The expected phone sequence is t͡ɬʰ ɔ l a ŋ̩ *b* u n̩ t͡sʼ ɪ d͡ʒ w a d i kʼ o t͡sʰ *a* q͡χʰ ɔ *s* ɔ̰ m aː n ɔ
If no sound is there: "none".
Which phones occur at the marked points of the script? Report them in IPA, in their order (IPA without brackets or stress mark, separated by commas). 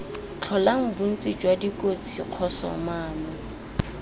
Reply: b, i, s